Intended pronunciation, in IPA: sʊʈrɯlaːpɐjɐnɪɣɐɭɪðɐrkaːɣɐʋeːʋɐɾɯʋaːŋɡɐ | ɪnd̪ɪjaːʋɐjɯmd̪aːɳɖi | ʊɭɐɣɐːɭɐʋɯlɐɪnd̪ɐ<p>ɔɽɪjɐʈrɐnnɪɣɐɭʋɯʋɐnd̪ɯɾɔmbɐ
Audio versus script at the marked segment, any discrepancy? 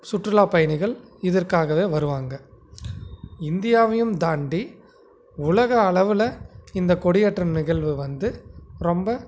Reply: yes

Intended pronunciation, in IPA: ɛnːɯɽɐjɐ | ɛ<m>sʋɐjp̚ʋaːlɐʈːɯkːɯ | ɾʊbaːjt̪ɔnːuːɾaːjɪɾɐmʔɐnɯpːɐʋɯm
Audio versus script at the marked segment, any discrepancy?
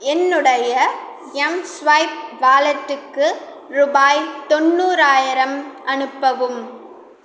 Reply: no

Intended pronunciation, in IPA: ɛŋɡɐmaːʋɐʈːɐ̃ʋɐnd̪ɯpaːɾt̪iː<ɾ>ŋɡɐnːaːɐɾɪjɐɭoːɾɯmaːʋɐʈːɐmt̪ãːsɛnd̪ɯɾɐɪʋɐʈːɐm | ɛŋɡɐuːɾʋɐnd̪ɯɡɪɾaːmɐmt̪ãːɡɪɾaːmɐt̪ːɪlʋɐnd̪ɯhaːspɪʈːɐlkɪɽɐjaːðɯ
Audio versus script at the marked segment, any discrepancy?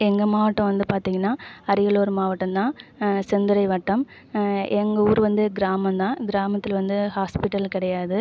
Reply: yes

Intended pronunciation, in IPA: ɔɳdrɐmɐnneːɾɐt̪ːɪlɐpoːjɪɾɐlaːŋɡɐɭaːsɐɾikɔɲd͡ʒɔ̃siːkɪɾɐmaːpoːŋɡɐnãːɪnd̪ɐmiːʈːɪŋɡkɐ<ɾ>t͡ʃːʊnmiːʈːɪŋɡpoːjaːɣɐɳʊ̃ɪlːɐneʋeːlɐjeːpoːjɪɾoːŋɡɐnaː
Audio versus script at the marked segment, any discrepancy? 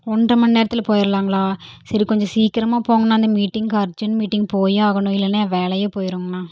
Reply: no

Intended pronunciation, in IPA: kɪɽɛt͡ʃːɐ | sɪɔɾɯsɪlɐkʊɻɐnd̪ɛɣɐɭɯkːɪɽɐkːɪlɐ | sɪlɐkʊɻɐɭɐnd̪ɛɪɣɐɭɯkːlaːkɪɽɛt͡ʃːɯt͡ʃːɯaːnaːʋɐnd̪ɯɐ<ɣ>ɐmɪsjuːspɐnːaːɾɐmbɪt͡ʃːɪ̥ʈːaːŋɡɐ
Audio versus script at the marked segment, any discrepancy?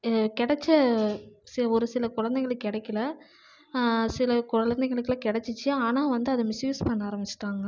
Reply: yes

